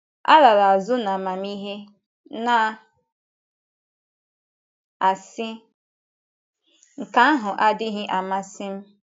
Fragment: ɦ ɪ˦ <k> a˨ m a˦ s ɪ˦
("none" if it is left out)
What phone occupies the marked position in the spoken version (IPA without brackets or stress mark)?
ʔ